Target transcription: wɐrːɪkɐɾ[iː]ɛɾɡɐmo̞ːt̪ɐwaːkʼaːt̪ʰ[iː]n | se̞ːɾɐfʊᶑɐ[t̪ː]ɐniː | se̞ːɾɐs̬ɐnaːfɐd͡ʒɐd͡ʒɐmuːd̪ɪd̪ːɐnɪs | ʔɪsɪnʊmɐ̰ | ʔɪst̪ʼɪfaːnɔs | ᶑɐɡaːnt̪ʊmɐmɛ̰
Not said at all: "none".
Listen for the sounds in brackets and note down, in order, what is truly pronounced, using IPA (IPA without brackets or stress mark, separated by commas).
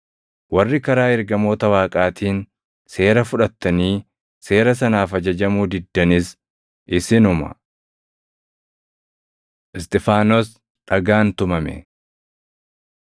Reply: aː, iː, t̪ː